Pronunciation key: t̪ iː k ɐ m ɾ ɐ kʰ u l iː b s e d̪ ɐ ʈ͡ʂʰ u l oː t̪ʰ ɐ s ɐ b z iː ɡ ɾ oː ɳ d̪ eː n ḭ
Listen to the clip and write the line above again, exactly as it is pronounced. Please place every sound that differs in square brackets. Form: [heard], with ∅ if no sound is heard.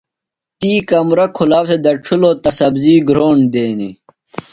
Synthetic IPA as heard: t̪ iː k ɐ m ɾ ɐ kʰ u l [aː] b s e d̪ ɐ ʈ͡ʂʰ u l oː [t̪] ɐ s ɐ b z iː ɡ ɾ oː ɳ d̪ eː n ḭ